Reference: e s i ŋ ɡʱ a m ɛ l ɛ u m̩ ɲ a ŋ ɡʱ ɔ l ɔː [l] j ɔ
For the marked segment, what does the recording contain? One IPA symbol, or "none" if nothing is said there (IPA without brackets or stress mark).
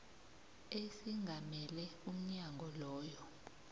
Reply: none